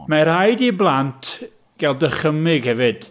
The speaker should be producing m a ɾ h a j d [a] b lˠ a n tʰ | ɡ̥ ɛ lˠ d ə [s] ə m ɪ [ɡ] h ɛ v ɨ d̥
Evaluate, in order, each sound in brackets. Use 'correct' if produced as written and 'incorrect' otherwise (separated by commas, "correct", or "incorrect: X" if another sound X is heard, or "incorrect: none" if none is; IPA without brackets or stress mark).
incorrect: i, incorrect: χ, correct